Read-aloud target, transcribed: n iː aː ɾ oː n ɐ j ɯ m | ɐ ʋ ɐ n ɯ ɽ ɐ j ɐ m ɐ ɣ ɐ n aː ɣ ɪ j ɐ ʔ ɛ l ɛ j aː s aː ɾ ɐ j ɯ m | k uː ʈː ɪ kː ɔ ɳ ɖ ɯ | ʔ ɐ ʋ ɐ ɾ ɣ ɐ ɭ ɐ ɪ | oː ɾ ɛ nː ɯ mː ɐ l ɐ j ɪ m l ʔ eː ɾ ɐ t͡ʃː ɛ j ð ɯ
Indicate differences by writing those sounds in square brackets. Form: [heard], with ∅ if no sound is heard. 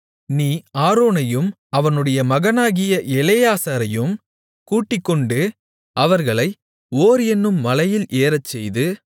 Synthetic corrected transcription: n iː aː ɾ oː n ɐ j ɯ m | ɐ ʋ ɐ n ɯ ɽ ɐ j ɐ m ɐ ɣ ɐ n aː ɣ ɪ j ɐ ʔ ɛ l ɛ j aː s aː ɾ ɐ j ɯ m | k uː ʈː ɪ kː ɔ ɳ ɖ ɯ | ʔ ɐ ʋ ɐ ɾ ɣ ɐ ɭ ɐ ɪ | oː ɾ ɛ nː ɯ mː ɐ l ɐ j ɪ [∅] l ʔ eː ɾ ɐ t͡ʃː ɛ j ð ɯ

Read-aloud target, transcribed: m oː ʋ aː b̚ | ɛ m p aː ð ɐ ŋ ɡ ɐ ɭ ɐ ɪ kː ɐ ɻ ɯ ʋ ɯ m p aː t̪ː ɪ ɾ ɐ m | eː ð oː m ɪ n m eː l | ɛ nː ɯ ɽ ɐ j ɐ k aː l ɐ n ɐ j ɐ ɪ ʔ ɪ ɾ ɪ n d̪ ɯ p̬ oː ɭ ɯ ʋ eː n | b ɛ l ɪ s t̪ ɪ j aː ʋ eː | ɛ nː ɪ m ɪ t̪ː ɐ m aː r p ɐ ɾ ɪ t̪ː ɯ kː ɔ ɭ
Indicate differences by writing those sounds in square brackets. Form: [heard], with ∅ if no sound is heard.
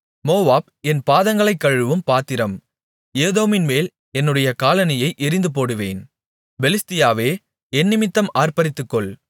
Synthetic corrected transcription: m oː ʋ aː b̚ | ɛ [n] p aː ð ɐ ŋ ɡ ɐ ɭ ɐ ɪ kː ɐ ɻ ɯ ʋ ɯ m p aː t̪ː ɪ ɾ ɐ m | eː ð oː m ɪ n m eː l | ɛ nː ɯ ɽ ɐ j ɐ k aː l ɐ n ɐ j ɐ ɪ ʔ ɪ ɾ ɪ n d̪ ɯ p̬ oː [ɽ] ɯ ʋ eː n | b ɛ l ɪ s t̪ ɪ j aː ʋ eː | ɛ nː ɪ m ɪ t̪ː ɐ m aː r p ɐ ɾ ɪ t̪ː ɯ kː ɔ ɭ

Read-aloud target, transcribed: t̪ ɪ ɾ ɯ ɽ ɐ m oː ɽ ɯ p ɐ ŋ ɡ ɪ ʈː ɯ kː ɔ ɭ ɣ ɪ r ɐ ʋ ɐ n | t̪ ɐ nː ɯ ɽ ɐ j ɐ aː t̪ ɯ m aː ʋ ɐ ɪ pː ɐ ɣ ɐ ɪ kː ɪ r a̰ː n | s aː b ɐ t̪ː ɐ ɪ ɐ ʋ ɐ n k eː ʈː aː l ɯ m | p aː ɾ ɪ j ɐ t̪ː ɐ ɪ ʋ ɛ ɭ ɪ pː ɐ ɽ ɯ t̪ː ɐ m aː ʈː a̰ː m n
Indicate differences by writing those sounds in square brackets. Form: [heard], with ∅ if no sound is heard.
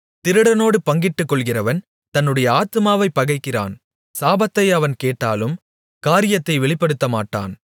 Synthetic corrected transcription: t̪ ɪ ɾ ɯ ɽ ɐ [n] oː ɽ ɯ p ɐ ŋ ɡ ɪ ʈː ɯ kː ɔ ɭ ɣ ɪ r ɐ ʋ ɐ n | t̪ ɐ nː ɯ ɽ ɐ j ɐ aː t̪ ɯ m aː ʋ ɐ ɪ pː ɐ ɣ ɐ ɪ kː ɪ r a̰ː n | s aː b ɐ t̪ː ɐ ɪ ɐ ʋ ɐ n k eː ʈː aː l ɯ m | [k] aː ɾ ɪ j ɐ t̪ː ɐ ɪ ʋ ɛ ɭ ɪ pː ɐ ɽ ɯ t̪ː ɐ m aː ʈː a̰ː [∅] n

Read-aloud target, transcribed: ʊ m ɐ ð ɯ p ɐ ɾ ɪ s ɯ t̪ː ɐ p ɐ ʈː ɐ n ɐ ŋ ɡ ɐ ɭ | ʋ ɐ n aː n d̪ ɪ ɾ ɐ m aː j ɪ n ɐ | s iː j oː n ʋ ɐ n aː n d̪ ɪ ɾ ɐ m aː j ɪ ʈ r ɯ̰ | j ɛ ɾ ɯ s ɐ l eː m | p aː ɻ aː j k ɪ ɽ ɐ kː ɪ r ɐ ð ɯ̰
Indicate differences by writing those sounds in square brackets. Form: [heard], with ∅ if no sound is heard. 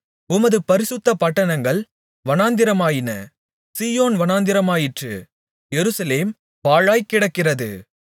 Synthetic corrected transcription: ʊ m ɐ ð ɯ p ɐ ɾ ɪ s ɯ t̪ː ɐ p ɐ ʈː ɐ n ɐ ŋ ɡ ɐ ɭ | ʋ ɐ n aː n d̪ ɪ ɾ ɐ m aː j ɪ n ɐ | s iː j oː n ʋ ɐ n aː n d̪ ɪ ɾ ɐ m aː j ɪ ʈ r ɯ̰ | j ɛ ɾ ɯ s ɐ l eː m | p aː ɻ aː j k ɪ ɽ ɐ kː ɪ r ɐ ð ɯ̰

